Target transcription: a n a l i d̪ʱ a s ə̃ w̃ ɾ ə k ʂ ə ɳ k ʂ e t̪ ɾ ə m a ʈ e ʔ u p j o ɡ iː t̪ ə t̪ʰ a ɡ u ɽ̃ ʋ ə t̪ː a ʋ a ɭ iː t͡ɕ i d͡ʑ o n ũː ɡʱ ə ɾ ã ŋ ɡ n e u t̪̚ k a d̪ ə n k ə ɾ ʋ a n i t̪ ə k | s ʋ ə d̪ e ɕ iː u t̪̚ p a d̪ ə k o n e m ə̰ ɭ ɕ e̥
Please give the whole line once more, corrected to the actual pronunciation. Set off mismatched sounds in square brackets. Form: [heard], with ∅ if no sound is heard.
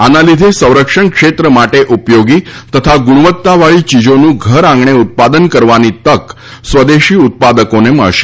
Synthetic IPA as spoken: a n a l i d̪ʱ [e] s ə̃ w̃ ɾ ə k ʂ ə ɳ k ʂ e t̪ ɾ ə m a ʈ e ʔ u p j o ɡ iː t̪ ə t̪ʰ a ɡ u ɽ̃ ʋ ə t̪ː a ʋ a ɭ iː t͡ɕ i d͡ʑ o n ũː ɡʱ ə ɾ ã ŋ ɡ [ɳ] e u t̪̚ [p] a d̪ ə n k ə ɾ ʋ a n i t̪ ə k | s ʋ ə d̪ e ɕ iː u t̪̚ p a d̪ ə k o n e m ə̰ ɭ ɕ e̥